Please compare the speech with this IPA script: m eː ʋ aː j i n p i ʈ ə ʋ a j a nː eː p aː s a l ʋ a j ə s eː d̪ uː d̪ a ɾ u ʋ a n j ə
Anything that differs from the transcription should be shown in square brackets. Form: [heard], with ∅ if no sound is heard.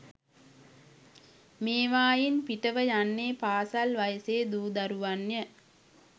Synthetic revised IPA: m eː ʋ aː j i n p i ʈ ə ʋ [ə] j a nː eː p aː s a l ʋ a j ə s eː d̪ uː d̪ a ɾ u ʋ a n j ə